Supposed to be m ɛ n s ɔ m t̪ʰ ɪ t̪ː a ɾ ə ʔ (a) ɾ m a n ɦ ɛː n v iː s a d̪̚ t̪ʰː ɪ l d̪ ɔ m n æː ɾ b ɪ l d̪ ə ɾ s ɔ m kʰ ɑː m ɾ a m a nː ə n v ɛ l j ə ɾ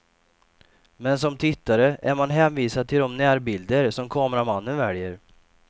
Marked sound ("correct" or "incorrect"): incorrect